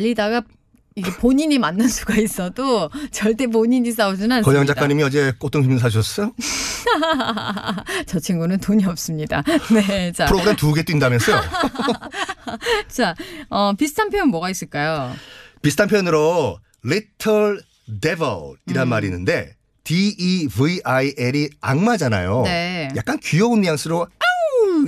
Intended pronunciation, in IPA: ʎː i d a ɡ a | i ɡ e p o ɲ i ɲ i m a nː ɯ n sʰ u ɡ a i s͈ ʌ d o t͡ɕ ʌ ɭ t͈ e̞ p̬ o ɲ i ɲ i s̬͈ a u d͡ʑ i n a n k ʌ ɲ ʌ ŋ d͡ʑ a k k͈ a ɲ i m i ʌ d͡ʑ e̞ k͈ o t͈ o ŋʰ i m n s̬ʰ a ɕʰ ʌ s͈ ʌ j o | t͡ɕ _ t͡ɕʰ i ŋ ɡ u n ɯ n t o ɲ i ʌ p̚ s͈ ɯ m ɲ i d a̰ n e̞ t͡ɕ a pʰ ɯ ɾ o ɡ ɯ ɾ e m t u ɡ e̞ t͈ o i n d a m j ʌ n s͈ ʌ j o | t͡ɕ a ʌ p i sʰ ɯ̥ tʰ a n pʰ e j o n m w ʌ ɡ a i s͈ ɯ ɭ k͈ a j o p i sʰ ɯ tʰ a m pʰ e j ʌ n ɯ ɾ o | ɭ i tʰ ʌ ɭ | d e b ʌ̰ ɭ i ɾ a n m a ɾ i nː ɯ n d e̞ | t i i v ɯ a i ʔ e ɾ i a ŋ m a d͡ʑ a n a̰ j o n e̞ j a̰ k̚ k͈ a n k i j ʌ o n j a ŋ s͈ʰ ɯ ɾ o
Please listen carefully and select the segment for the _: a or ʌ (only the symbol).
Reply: ʌ